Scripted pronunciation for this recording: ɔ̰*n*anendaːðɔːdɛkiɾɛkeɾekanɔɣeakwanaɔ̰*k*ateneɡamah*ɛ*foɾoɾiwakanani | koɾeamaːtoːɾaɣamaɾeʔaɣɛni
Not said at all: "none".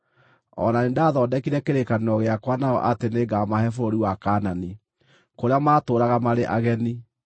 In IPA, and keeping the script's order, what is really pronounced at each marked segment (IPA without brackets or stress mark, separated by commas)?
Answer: n, ʔ, ɛ